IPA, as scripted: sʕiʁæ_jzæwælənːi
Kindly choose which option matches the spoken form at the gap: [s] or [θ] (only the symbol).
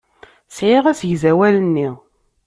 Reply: s